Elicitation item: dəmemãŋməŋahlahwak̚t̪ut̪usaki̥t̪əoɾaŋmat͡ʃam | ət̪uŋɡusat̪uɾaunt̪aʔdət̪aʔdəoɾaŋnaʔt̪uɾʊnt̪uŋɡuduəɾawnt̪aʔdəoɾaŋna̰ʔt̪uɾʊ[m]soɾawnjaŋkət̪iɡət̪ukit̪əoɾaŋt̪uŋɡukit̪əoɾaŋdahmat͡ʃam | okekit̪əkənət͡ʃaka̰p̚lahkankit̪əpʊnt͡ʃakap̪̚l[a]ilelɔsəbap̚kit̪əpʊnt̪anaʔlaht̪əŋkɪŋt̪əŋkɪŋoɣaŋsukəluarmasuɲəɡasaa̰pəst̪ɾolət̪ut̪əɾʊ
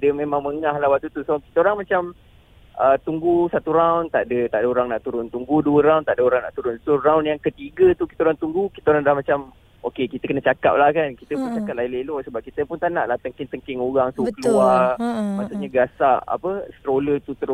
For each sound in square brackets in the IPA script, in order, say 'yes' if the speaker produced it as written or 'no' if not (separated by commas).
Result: no, yes